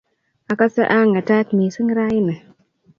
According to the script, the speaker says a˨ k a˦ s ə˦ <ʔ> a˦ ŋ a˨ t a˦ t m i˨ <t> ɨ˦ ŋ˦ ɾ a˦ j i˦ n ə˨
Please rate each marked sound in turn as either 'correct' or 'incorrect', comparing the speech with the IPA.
correct, incorrect: s

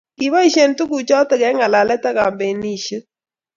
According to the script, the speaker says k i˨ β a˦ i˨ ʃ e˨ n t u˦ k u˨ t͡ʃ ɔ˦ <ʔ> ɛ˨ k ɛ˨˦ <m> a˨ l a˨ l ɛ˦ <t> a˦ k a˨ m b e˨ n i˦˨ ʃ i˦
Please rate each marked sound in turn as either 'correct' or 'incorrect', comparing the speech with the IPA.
incorrect: t, incorrect: ŋ, correct

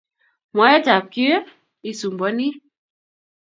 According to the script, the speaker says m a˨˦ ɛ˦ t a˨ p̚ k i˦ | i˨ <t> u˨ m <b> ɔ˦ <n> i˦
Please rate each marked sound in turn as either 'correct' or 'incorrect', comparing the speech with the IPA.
incorrect: s, correct, correct

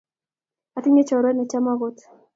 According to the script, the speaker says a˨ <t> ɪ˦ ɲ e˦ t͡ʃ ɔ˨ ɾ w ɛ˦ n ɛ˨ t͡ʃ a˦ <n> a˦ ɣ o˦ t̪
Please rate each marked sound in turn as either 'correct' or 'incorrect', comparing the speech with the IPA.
correct, incorrect: m

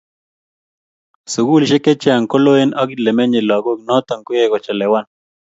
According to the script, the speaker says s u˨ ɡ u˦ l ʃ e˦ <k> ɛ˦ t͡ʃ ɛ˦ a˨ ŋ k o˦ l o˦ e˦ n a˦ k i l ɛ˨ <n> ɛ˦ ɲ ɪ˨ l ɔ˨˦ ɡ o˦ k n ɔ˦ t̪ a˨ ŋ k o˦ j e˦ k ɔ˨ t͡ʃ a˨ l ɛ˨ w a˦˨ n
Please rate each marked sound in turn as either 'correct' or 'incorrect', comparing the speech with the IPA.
correct, incorrect: m

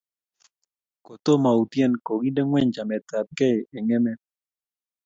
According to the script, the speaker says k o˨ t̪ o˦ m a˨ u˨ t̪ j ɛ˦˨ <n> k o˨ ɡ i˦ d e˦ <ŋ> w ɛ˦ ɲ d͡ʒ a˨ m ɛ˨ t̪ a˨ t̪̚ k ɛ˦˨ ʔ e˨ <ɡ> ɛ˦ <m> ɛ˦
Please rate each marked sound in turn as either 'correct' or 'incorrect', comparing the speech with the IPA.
correct, correct, incorrect: ŋ, correct

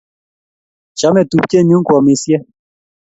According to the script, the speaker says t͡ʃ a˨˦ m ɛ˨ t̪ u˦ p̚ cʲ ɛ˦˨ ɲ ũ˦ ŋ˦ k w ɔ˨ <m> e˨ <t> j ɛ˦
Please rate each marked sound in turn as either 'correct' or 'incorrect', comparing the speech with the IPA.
correct, incorrect: s

